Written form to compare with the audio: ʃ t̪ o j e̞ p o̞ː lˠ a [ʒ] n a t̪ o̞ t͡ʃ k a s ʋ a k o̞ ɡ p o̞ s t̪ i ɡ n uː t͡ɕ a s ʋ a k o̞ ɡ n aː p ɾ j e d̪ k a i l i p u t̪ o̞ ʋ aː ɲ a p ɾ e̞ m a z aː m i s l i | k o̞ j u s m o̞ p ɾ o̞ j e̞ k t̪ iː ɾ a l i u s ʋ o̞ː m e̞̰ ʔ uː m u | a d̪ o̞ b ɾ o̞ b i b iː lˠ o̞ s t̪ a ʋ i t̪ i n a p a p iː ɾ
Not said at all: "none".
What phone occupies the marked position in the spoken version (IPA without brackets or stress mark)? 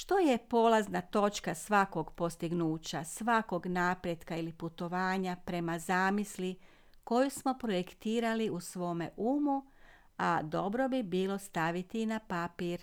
z